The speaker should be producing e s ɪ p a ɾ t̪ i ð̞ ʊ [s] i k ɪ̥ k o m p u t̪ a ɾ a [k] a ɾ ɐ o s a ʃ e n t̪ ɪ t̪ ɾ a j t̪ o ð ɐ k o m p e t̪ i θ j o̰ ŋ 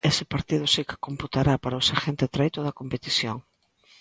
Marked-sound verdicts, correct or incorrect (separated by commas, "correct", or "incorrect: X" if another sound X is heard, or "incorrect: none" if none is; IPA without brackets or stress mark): correct, incorrect: p